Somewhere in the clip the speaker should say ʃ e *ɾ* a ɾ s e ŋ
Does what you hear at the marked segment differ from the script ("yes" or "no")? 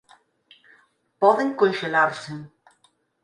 yes